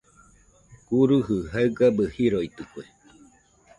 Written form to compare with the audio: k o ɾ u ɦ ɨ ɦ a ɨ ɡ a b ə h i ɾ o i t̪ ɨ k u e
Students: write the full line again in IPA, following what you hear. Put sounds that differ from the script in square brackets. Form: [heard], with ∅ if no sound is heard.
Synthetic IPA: k [u] ɾ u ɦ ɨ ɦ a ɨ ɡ a b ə h i ɾ o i t̪ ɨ k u e